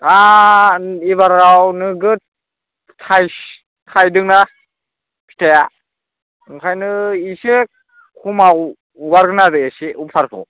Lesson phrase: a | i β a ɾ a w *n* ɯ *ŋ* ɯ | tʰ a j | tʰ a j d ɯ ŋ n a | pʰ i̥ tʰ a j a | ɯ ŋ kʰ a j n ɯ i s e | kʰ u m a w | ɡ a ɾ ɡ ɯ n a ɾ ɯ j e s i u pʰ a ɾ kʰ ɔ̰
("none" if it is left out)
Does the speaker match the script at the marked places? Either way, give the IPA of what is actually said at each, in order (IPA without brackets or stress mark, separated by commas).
n, ɡ